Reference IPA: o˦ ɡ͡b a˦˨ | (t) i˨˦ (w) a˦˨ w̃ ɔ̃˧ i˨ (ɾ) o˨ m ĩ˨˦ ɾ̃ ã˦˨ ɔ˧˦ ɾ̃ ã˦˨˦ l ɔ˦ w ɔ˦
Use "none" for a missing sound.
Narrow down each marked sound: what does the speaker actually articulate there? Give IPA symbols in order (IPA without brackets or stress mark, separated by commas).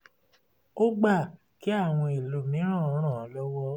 k, none, l